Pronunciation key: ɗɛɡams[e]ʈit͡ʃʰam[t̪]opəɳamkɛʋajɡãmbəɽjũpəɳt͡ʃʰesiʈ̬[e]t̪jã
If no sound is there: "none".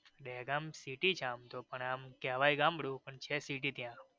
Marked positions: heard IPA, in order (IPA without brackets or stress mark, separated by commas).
i, t̪, i